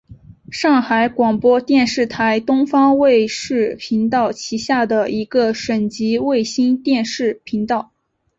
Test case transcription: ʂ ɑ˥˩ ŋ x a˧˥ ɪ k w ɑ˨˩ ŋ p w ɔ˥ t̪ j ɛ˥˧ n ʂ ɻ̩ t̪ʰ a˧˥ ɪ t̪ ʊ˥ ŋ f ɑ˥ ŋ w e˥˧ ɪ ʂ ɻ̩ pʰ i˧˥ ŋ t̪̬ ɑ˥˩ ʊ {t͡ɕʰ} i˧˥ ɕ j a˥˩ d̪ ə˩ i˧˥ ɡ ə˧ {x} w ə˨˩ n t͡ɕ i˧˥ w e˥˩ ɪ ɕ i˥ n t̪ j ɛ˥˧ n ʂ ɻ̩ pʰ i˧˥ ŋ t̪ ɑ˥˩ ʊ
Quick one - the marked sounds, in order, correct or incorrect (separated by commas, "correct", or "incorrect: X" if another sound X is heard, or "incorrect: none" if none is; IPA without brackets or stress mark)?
correct, incorrect: ʂ